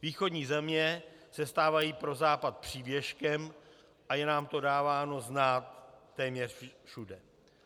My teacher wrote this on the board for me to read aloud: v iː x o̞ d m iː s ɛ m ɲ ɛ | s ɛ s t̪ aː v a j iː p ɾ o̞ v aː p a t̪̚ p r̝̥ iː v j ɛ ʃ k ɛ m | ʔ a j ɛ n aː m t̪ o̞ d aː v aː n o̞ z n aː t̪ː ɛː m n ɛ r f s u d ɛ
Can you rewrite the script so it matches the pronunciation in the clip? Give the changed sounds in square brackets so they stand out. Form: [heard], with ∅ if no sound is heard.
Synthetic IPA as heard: v iː x o̞ d [ɲ] iː [z] ɛ m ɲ ɛ | s ɛ s t̪ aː v a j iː p ɾ o̞ [z] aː p a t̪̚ p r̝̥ iː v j ɛ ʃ k ɛ m | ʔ a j ɛ n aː m t̪ o̞ d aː v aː n o̞ z n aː t̪ː ɛː m [ɲ] ɛ r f [ʃ] u d ɛ